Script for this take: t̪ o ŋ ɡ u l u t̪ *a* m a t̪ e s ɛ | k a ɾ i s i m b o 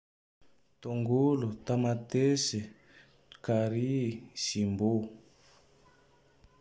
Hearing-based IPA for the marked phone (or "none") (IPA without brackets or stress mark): a